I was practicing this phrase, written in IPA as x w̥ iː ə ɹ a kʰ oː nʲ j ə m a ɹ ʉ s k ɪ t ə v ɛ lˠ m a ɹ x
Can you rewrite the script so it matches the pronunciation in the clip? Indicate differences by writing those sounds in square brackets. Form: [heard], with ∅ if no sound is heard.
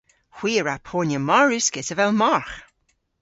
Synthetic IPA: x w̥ iː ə ɹ a [pʰ] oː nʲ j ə m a ɹ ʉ s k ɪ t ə v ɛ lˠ m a ɹ x